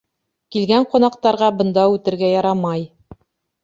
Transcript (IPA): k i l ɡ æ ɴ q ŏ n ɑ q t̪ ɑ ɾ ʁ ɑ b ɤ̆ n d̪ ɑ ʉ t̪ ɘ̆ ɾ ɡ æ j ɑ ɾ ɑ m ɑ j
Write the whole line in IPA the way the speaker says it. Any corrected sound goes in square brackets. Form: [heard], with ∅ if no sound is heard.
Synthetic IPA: k i l ɡ æ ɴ q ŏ n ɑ q t̪ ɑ ɾ ʁ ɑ b ɤ̆ n d̪ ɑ ʉ t̪ ɘ̆ ɾ ɡ æ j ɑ ɾ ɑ m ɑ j